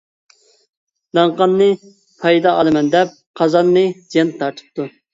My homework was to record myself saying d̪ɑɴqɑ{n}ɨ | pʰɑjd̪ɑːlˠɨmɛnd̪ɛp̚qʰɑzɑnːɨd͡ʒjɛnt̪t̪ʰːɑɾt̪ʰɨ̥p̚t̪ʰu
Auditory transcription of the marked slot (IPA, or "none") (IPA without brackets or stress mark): nː